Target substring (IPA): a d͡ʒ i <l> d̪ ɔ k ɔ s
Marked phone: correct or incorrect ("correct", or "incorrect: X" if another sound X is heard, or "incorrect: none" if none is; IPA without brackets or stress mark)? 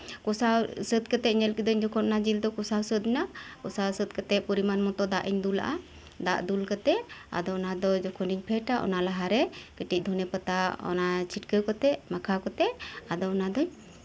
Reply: correct